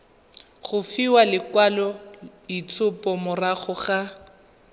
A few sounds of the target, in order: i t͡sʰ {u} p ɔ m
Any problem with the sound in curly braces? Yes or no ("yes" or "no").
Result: yes